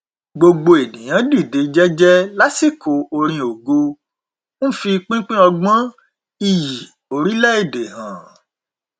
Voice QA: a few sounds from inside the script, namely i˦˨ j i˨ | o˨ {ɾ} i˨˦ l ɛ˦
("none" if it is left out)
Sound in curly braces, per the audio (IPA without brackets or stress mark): ɾ